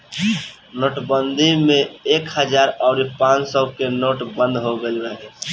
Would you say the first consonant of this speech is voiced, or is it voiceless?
voiced